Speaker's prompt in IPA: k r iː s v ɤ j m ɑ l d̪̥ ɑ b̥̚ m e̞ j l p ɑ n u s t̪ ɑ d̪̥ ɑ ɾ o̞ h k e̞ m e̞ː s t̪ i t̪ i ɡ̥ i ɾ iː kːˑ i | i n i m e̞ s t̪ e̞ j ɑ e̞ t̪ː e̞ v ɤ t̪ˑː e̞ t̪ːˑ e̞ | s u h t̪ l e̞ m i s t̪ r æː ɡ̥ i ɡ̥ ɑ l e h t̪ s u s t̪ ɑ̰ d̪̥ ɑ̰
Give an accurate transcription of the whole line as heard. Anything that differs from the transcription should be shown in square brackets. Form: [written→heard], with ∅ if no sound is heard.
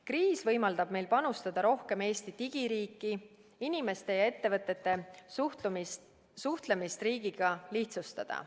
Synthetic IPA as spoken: k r iː s v ɤ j m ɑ l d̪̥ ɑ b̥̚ m e̞ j l p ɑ n u s t̪ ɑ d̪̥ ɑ ɾ o̞ h k e̞ m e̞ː s t̪ i t̪ i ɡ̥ i ɾ iː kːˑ i | i n i m e̞ s t̪ e̞ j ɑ e̞ t̪ː e̞ v ɤ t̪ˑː e̞ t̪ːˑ e̞ | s u h t̪ l e̞ m i s t̪ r [æː→iː] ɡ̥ i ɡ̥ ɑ l [e→i] h t̪ s u s t̪ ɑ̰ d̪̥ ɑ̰

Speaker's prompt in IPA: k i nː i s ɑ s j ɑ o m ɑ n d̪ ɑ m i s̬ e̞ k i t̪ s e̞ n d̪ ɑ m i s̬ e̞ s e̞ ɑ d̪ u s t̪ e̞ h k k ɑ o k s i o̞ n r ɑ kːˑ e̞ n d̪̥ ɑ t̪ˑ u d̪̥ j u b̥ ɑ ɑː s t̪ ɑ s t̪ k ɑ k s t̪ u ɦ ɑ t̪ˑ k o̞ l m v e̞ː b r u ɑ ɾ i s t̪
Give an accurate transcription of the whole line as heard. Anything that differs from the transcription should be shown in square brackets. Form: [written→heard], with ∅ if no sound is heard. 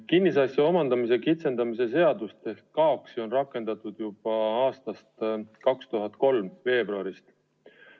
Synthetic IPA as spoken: k i nː i s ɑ s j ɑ o m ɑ n d̪ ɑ m i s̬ e̞ k i t̪ s e̞ n d̪ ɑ m i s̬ e̞ s e̞ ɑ d̪ u s t̪ e̞ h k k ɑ o k s i o̞ n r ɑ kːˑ e̞ n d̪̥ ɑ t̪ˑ u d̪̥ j u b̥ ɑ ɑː s t̪ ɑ s t̪ k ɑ k s t̪ u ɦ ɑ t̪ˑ k o̞ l m v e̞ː b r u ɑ ɾ i s t̪

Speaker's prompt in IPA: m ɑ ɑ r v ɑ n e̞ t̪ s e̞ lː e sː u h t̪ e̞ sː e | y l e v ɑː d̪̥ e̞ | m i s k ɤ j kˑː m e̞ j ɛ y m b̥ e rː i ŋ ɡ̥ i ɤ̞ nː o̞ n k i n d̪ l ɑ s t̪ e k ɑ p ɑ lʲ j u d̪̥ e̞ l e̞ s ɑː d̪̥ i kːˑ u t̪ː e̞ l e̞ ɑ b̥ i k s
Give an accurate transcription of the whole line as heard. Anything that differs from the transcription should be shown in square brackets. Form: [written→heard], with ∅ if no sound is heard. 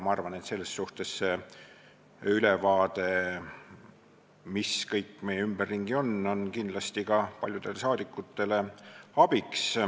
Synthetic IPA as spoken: m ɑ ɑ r v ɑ n e̞ t̪ s e̞ lː e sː u h t̪ e̞ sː e | y l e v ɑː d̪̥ e̞ | m i s k ɤ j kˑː m e̞ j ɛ y m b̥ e rː i ŋ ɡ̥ i [ɤ̞→o̞] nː o̞ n k i n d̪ l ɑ s t̪ [e→i] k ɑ p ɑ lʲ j u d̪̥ e̞ l e̞ s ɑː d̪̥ i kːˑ u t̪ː e̞ l e̞ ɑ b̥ i k s

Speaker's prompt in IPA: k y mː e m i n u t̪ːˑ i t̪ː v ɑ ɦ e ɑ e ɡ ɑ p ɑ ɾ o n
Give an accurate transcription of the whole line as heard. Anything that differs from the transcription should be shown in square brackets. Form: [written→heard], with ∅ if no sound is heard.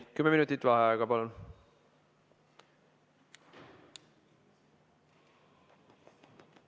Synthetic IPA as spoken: k y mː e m i n u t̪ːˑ i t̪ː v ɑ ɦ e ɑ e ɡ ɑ p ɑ [ɾ→l] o n

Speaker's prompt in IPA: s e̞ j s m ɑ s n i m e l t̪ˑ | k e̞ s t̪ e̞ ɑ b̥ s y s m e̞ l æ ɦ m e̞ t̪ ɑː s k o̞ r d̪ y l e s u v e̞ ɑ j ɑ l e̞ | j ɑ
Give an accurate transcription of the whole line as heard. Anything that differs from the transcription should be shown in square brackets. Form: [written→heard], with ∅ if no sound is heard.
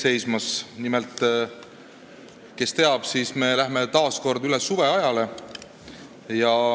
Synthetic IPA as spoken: s e̞ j s m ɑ s n i m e l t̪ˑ | k e̞ s t̪ e̞ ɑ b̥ s [y→i] s m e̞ l æ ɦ m e̞ t̪ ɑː s k o̞ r d̪ y l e s u v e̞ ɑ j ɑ l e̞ | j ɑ

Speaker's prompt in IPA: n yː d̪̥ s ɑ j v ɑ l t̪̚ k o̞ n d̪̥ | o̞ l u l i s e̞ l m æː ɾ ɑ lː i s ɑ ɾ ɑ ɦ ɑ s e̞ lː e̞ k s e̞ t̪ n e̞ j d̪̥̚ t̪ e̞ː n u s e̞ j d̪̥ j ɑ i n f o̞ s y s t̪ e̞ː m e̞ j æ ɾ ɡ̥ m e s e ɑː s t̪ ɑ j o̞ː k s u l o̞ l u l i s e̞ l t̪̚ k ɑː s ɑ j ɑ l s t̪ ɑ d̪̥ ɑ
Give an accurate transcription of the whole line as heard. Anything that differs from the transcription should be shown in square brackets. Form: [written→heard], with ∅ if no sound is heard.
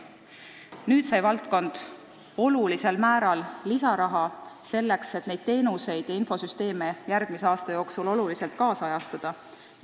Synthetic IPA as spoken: n yː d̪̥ s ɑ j v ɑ l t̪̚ k o̞ n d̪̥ | o̞ l u l i s e̞ l m æː ɾ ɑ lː i s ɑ ɾ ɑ ɦ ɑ s e̞ lː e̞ k s e̞ t̪ n e̞ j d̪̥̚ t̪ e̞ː n u s e̞ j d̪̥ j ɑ i n f o̞ s y s t̪ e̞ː m e̞ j æ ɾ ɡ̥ m [e→i] s e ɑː s t̪ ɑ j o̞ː k s u l o̞ l u l i s e̞ l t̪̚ k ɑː s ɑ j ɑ [l→∅] s t̪ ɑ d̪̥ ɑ

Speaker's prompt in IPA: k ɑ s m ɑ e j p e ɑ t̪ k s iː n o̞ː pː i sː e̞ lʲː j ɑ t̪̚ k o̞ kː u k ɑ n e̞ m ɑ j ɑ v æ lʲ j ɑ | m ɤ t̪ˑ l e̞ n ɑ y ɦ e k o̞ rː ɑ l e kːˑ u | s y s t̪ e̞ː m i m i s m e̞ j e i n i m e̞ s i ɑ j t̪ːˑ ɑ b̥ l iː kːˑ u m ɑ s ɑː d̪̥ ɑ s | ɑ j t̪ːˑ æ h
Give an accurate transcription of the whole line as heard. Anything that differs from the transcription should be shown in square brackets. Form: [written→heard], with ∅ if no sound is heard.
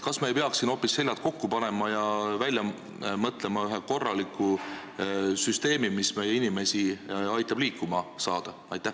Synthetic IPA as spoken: k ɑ s m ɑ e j p e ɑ [t̪→∅] k s [iː→i] n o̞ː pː i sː e̞ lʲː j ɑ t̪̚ k o̞ kː u [k→p] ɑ n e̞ m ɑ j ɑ v æ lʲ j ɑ | m ɤ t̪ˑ l e̞ [n→m] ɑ y ɦ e k o̞ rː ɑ l [e→i] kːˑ u | s y s t̪ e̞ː m i m i s m e̞ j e i n i m e̞ s i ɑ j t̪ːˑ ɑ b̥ l iː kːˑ u m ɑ s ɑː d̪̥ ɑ [s→∅] | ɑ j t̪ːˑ æ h

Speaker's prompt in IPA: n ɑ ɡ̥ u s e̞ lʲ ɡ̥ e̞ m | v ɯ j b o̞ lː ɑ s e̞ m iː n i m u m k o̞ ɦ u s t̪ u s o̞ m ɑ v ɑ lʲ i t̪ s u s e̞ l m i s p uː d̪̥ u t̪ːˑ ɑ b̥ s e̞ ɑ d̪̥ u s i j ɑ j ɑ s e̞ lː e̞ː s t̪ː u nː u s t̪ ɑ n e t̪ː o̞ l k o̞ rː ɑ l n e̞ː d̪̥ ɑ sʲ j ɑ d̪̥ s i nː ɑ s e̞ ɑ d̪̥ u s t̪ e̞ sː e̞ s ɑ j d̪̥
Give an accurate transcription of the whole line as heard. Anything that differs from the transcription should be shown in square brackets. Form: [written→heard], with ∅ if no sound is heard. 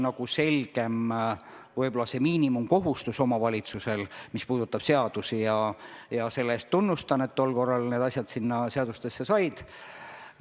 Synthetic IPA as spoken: n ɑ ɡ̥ u s e̞ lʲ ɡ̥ e̞ m | v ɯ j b o̞ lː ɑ s e̞ m iː n i m u m k o̞ ɦ u s t̪ u s o̞ m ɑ v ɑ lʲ i t̪ s u s e̞ l m i s p uː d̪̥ u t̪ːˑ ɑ b̥ s e̞ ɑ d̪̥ u s i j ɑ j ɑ s e̞ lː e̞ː s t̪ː u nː u s t̪ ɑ n e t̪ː o̞ l k o̞ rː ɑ l n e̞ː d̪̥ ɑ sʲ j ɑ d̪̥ s i nː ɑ s e̞ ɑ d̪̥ u s t̪ e̞ sː e̞ s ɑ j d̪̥

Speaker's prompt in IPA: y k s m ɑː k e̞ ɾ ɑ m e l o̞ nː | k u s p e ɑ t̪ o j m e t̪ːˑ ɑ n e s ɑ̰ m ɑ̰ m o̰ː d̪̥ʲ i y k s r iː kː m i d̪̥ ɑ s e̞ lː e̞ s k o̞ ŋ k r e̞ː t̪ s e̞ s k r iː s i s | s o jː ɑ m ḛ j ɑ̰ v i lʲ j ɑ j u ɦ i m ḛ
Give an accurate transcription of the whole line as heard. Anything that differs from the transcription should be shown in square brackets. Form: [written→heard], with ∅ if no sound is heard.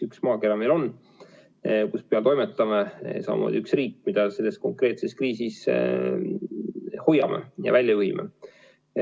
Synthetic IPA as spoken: y k s m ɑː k e̞ ɾ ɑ m e l o̞ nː | k u s p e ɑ t̪ o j m e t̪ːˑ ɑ [n→m] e s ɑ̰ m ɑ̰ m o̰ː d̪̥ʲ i y k s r iː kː m i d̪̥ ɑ s e̞ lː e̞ s k o̞ ŋ k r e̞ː t̪ s e̞ s k r iː s i s | [s→h] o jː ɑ m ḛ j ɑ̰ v [i→æ] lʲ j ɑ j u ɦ i m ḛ

